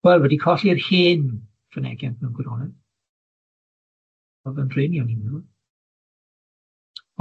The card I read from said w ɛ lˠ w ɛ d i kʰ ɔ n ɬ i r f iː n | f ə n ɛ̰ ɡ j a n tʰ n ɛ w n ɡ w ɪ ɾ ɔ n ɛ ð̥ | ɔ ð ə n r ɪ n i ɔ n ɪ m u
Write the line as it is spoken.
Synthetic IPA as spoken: w ɛ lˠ w ɛ d i kʰ ɔ ɬ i r h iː n | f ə n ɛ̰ ɡ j a n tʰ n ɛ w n ɡ w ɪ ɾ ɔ n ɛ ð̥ | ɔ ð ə n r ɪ n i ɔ n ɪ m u